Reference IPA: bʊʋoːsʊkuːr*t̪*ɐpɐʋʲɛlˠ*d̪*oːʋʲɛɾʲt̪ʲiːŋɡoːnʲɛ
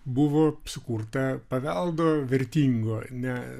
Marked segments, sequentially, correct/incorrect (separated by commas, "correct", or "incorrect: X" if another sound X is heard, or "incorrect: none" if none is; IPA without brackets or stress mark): correct, correct